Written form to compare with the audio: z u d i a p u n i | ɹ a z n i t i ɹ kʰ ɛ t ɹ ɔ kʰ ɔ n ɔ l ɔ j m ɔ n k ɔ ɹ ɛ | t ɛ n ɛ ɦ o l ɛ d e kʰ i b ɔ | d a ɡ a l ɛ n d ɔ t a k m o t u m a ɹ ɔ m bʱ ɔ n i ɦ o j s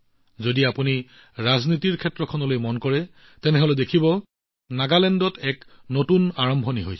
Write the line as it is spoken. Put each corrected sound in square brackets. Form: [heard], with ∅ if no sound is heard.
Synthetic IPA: z [o] d i a p u n i | ɹ a z n i t i ɹ kʰ ɛ t ɹ ɔ kʰ ɔ n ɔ l [o] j m ɔ n k ɔ ɹ ɛ | t ɛ n ɛ ɦ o l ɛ d e kʰ i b ɔ | [n] a ɡ a l ɛ n d ɔ t [ɛ] k [n] o t u [n] a ɹ ɔ m bʱ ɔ n i ɦ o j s

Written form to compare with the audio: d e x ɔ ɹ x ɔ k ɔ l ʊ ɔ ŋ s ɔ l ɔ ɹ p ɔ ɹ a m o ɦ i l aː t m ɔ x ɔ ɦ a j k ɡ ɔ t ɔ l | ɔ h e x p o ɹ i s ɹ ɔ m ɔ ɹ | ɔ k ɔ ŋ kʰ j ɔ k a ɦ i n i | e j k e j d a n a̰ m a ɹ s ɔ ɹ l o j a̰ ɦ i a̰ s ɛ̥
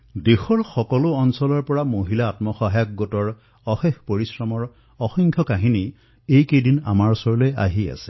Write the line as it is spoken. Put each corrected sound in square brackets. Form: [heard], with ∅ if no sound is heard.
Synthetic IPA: d e x ɔ ɹ x ɔ k ɔ l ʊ ɔ [n] s ɔ l ɔ ɹ p ɔ ɹ a m o ɦ i l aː t m ɔ x ɔ ɦ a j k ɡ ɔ t ɔ [ɹ] | ɔ [x] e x p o ɹ i s ɹ ɔ m ɔ ɹ | ɔ [x] ɔ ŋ kʰ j ɔ k a ɦ i n i | e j k e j d [i] n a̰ m a ɹ s ɔ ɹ l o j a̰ ɦ i a̰ s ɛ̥

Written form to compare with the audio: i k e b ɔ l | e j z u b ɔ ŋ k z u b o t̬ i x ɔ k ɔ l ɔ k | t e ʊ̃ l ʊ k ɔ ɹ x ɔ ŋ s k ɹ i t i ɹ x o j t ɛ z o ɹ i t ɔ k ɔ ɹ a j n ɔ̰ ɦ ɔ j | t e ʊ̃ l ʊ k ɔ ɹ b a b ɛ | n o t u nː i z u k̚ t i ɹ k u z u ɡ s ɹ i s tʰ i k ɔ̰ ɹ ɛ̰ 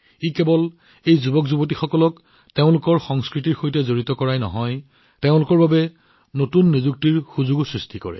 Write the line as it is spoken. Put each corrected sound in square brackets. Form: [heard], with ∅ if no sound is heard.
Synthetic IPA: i k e b ɔ l | e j z u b ɔ [∅] k z u b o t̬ i x ɔ k ɔ l ɔ k | t e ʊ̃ l ʊ k ɔ ɹ x ɔ ŋ s k ɹ i t i ɹ x o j t ɛ z o ɹ i t ɔ k ɔ ɹ a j n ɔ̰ ɦ ɔ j | t e ʊ̃ l ʊ k ɔ ɹ b a b ɛ | n o t u nː i z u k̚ t i ɹ [x] u z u ɡ s ɹ i s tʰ i k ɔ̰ ɹ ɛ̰

